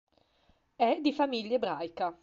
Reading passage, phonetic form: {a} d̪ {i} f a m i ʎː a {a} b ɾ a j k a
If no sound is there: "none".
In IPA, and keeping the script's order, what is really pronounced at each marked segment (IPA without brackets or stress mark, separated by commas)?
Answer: ɛ, i, e